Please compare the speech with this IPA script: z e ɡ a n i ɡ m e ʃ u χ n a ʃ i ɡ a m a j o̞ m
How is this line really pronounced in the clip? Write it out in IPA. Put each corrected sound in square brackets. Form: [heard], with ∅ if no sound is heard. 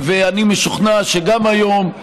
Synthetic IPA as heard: [v] e [∅] a n i [∅] m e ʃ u χ n a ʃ [e] ɡ a m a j o̞ m